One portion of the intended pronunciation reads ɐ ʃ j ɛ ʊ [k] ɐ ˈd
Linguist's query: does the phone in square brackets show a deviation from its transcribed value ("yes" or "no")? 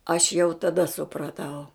yes